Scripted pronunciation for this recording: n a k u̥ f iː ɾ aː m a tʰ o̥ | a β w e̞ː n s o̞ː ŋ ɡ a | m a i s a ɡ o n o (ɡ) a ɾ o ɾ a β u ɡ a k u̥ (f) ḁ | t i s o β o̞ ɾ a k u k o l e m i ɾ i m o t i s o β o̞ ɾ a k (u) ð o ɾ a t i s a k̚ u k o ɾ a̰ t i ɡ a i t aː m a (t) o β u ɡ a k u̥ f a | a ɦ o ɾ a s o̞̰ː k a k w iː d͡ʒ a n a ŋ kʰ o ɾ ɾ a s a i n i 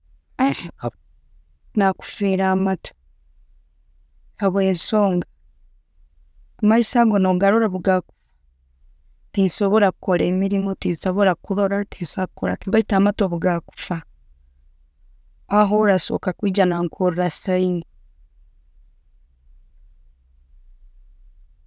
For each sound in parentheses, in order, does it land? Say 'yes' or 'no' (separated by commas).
yes, yes, yes, yes